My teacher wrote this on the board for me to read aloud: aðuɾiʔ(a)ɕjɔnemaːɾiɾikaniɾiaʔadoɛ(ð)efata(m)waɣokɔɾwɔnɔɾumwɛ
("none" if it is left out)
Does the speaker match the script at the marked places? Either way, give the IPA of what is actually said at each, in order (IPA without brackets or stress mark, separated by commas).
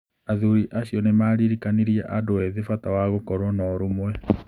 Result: a, ð, none